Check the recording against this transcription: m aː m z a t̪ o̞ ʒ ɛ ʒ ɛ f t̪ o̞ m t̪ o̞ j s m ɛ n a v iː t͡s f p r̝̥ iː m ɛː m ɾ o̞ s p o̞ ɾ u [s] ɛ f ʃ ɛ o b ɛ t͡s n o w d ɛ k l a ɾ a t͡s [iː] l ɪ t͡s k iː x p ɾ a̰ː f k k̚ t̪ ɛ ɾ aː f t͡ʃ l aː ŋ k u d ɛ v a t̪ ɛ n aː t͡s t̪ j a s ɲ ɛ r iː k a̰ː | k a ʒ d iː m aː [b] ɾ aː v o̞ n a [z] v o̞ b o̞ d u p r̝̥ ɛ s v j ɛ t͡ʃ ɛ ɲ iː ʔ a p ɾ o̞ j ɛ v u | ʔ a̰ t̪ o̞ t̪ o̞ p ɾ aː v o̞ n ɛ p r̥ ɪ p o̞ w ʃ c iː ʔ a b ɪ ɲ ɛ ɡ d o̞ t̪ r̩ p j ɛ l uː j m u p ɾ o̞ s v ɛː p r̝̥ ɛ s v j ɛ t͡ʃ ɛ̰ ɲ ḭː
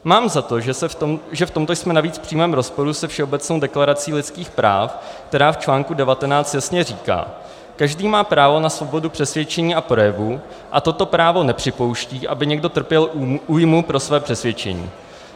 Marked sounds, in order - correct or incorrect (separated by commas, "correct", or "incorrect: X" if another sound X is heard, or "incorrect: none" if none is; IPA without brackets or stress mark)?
correct, correct, incorrect: p, incorrect: s